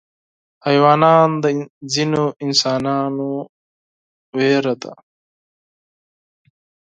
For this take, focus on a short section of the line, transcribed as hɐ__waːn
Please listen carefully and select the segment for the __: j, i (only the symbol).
j